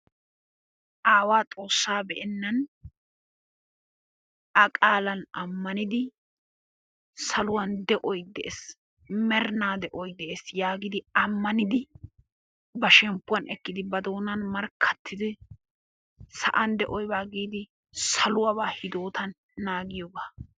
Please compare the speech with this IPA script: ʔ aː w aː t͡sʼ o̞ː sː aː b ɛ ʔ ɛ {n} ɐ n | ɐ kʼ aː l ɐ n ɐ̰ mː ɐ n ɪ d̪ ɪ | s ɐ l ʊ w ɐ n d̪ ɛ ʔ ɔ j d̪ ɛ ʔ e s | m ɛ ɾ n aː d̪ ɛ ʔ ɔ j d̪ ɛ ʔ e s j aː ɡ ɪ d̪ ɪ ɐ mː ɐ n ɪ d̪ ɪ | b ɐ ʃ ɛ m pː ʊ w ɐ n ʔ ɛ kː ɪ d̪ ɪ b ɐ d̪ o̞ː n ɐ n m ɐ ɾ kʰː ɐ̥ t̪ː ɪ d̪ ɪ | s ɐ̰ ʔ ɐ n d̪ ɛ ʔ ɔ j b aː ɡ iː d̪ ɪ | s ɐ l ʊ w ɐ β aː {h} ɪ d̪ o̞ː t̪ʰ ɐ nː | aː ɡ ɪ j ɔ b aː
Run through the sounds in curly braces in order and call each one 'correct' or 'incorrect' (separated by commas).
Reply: incorrect, correct